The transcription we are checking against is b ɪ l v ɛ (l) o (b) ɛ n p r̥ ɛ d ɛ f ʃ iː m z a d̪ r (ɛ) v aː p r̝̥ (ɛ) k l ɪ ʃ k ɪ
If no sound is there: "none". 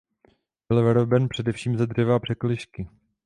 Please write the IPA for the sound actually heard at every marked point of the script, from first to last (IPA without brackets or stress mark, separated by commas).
ɾ, b, ɛ, ɛ